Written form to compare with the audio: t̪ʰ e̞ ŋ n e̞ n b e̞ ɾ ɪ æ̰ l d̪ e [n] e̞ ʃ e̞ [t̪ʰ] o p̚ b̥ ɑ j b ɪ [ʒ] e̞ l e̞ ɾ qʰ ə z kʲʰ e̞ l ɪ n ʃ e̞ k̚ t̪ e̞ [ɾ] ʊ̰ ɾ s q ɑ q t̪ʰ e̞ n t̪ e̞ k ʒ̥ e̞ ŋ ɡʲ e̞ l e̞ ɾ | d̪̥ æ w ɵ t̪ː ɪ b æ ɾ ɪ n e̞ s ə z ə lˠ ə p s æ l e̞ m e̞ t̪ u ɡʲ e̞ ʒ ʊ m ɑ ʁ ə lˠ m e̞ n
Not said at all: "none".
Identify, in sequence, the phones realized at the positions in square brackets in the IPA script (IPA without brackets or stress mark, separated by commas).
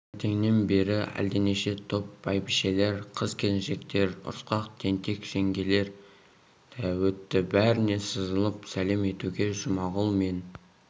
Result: n, t̪ʰ, ʃ, ɾ